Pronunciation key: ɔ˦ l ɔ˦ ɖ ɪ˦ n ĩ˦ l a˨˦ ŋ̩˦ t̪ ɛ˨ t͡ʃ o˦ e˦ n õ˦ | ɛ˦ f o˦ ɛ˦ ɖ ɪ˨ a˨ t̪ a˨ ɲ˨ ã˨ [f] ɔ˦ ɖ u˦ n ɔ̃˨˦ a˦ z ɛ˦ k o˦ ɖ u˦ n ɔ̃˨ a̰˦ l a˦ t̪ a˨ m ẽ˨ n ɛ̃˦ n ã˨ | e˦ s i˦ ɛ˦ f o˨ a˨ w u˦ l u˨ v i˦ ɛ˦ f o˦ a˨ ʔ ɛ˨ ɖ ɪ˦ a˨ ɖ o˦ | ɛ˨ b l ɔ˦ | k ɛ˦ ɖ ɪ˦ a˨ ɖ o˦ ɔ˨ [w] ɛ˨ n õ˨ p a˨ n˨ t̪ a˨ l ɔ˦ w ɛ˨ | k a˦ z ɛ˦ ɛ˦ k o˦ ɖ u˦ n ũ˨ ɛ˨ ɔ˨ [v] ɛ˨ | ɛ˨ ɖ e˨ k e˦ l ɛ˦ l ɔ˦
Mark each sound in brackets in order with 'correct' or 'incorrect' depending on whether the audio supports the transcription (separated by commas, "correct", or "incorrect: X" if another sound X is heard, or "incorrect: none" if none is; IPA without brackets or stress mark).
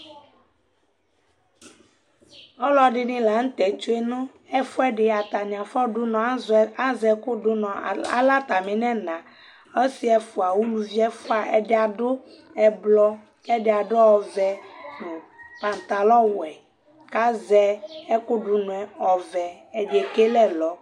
correct, incorrect: v, correct